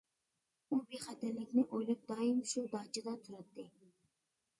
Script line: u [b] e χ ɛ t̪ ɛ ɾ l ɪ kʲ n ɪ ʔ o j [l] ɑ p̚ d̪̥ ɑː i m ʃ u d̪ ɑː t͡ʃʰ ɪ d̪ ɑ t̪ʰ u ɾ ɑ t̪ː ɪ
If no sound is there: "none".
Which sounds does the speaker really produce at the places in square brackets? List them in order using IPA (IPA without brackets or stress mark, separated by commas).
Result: b, l